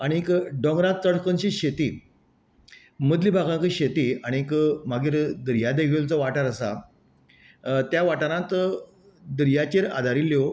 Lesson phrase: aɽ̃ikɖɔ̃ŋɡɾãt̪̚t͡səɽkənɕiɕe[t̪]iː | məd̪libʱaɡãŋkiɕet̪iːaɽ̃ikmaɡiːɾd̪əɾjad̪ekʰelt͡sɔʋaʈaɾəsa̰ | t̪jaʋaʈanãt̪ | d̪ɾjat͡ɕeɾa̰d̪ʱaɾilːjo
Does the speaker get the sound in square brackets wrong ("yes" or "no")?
no